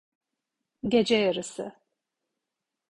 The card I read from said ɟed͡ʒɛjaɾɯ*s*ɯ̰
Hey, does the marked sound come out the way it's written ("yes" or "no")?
yes